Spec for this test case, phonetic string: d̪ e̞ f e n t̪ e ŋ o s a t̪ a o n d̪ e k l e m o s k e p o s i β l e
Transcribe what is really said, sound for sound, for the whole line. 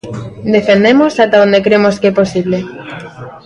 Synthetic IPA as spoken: d̪ e̞ f e n d̪ e m o s a t̪ a o n d̪ e k ɾ e m o s k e p o s i β l e